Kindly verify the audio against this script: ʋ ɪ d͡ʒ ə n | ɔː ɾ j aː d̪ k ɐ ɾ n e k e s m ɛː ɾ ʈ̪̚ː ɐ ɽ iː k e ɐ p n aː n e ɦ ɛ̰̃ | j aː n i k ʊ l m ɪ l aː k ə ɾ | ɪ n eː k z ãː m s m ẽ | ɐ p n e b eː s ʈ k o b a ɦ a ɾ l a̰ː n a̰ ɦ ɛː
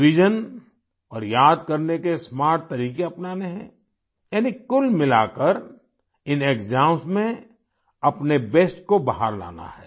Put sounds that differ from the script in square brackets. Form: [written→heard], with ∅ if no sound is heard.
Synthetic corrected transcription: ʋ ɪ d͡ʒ ə n | ɔː ɾ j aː d̪ k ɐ ɾ n e k e s m [ɛː→aː] ɾ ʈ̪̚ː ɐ [ɽ→ɾ] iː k e ɐ p n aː n e ɦ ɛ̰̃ | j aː n i k ʊ l m ɪ l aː k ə ɾ | ɪ n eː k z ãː m s m ẽ | ɐ p n e b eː s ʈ k o b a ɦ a ɾ l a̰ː n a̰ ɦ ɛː